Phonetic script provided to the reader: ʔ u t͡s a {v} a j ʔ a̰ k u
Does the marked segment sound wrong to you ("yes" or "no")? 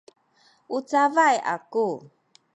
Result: no